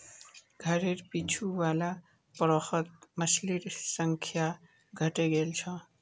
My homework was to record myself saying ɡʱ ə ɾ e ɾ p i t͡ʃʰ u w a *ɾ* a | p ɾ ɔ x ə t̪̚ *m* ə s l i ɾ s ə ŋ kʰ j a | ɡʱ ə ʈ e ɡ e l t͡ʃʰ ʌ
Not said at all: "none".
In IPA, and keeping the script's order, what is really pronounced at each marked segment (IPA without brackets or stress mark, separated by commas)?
l, m